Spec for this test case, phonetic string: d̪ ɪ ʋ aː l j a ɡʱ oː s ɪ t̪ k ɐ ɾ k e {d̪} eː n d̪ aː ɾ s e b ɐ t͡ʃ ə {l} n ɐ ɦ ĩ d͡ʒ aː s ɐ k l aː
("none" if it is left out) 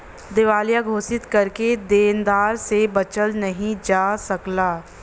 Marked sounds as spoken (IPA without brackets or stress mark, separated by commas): d̪, l